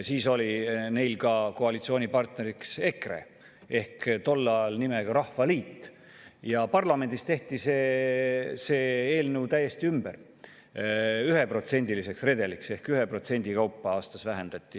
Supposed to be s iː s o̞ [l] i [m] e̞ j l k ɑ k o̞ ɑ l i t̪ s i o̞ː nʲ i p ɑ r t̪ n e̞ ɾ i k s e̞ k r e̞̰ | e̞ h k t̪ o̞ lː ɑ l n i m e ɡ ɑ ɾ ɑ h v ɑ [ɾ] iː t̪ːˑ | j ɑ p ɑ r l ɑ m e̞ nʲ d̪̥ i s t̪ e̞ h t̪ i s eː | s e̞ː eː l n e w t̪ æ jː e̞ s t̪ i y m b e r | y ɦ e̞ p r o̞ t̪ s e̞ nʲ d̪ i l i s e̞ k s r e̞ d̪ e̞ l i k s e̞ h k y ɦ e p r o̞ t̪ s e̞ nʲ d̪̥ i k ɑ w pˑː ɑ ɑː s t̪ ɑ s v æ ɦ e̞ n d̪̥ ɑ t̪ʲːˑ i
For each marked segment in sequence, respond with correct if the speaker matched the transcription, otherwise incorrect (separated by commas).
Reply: correct, incorrect, incorrect